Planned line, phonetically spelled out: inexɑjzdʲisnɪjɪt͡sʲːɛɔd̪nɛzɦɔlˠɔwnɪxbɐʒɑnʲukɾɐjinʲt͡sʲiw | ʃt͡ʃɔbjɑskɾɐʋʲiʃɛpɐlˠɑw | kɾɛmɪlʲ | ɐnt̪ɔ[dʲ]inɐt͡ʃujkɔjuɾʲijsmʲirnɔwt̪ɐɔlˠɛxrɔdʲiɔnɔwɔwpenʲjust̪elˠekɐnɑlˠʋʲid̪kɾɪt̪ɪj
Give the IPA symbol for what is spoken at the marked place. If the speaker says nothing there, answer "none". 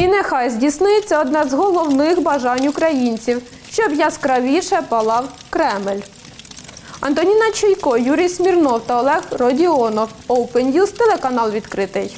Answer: nʲ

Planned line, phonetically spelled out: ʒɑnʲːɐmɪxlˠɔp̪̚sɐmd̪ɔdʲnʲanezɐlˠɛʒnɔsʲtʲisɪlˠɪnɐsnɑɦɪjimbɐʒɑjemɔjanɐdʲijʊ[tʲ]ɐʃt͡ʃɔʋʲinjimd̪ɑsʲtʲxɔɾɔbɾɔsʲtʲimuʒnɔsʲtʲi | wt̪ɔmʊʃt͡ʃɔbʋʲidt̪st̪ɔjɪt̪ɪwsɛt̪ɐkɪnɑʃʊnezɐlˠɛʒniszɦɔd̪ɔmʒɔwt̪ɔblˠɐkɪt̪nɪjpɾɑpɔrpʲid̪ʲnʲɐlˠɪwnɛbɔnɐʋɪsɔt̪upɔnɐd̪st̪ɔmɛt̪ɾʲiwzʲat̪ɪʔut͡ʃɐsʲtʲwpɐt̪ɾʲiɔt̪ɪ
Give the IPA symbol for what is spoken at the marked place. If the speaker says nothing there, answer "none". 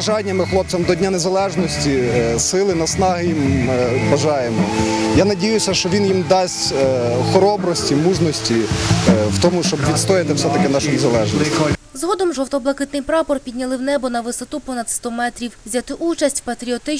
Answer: sʲ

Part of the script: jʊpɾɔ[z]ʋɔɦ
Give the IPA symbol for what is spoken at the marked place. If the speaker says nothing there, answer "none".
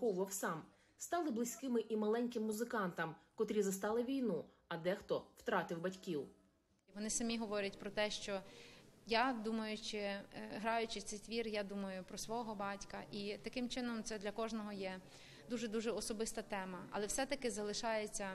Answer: s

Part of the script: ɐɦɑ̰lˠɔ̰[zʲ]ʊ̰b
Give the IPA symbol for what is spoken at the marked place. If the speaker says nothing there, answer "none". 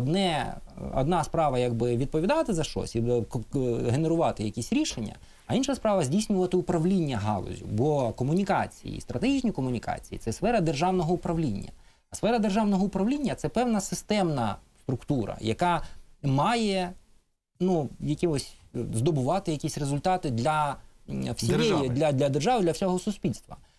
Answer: zʲ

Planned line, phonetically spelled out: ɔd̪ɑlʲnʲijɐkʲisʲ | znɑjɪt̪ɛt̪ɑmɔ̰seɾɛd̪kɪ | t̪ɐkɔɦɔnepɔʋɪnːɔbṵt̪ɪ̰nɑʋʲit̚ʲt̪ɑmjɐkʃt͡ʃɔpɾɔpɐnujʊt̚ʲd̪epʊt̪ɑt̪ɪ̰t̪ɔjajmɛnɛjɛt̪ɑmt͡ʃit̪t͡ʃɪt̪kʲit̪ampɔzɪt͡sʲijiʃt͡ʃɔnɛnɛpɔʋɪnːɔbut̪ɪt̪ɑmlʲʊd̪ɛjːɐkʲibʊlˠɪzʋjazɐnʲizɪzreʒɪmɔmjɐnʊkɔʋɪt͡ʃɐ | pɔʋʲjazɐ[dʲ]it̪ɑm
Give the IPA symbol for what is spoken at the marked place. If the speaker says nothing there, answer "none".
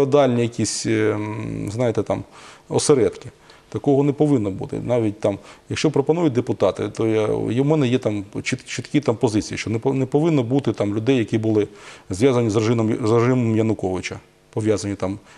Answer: nʲ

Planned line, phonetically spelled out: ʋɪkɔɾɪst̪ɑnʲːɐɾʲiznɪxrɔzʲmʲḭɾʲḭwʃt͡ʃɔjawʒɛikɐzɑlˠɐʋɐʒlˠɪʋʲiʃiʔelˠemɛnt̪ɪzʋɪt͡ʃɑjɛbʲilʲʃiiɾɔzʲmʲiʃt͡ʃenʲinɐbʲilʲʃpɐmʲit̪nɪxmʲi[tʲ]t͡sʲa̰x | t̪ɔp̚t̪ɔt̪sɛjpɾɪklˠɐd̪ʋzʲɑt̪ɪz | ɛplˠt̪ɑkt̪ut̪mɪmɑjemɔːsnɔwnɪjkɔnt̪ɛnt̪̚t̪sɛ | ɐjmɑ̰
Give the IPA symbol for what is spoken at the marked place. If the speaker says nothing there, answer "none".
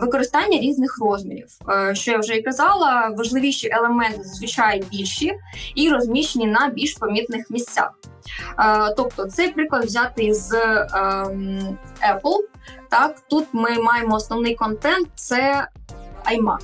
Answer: sʲ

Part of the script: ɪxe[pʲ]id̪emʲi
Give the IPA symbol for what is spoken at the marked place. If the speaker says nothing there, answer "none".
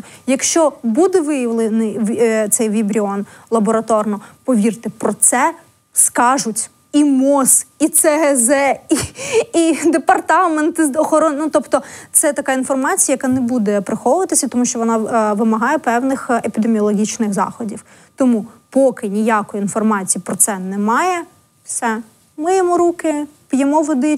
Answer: pʲ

